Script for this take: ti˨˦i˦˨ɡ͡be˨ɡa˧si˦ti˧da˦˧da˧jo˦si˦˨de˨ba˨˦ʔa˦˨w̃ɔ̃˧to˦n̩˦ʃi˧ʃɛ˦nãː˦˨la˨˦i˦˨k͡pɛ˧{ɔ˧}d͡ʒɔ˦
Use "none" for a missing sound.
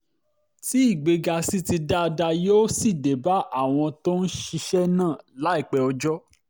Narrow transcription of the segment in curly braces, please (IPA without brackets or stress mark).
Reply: ɔ˧